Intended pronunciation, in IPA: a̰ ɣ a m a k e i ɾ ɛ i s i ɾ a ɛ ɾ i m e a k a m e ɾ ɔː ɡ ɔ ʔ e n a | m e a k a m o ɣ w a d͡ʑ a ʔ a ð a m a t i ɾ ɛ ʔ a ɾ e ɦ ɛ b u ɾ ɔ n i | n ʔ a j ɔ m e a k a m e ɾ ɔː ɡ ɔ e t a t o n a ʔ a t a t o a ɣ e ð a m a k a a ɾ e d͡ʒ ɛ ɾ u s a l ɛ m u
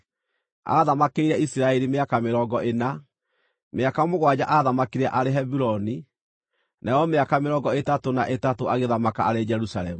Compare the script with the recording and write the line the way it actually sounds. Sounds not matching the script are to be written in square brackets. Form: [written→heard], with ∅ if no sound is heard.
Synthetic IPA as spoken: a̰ [ɣ→ð] a m a k e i ɾ ɛ i s i ɾ a ɛ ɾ i m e a k a m e ɾ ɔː ɡ ɔ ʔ e n a | m e a k a m o ɣ w a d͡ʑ a ʔ a ð a m a [t→k] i ɾ ɛ ʔ a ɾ e ɦ ɛ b u ɾ ɔ n i | n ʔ a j ɔ m e a k a m e ɾ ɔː ɡ ɔ e t a t o n a ʔ [a→e] t a t o a ɣ e ð a m a k a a ɾ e d͡ʒ ɛ ɾ u s a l ɛ m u